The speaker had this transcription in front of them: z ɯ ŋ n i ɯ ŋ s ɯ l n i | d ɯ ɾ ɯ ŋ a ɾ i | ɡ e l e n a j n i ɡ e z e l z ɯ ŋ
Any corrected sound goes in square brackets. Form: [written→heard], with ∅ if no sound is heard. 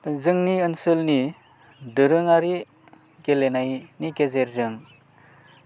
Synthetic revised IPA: z ɯ ŋ n i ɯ [ŋ→n] s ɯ l n i | d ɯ ɾ ɯ ŋ a ɾ i | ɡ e l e n a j n i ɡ e z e [l→ɾ] z ɯ ŋ